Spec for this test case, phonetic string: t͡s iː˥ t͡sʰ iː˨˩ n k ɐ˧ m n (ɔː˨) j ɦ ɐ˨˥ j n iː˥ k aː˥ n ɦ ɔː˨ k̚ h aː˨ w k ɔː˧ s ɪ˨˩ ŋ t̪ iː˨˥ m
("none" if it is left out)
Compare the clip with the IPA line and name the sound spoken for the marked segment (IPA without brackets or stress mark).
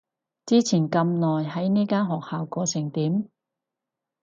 ɔː˨